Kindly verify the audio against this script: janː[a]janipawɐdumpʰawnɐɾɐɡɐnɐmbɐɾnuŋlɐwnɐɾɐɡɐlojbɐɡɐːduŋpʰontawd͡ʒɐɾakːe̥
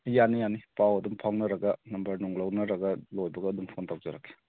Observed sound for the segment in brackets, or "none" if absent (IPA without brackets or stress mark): i